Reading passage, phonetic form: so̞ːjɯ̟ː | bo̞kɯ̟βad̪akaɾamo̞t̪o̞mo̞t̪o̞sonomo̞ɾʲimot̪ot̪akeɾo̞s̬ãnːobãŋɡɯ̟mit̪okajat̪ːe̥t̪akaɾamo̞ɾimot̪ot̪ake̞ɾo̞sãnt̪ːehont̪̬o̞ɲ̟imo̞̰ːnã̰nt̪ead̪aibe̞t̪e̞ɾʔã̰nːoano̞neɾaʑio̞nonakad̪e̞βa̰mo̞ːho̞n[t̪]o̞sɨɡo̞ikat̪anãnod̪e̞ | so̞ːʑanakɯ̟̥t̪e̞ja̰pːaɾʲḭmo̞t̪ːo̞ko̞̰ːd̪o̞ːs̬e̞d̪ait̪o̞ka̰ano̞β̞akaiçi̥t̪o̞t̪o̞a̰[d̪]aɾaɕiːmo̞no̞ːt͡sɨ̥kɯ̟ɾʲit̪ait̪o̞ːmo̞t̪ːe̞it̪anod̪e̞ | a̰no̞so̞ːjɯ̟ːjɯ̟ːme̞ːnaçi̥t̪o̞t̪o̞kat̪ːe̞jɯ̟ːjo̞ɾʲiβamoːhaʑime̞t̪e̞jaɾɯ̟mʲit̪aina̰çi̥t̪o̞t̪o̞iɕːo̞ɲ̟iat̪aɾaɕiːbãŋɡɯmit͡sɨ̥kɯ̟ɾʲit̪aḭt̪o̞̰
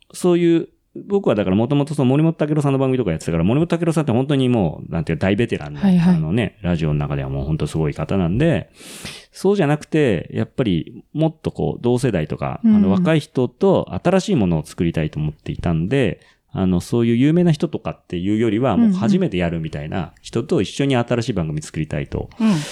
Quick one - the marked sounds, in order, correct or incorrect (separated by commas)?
correct, incorrect